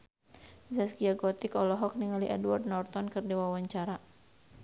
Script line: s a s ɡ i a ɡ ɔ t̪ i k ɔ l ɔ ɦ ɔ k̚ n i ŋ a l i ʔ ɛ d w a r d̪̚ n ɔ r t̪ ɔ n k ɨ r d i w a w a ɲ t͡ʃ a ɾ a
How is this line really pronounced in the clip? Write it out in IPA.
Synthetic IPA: z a s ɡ i a ɡ ɔ t̪ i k ɔ l ɔ ɦ ɔ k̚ n i ŋ a l i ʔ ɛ d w a r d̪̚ n ɔ r t̪ ɔ n k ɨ r d i w a w a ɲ t͡ʃ a ɾ a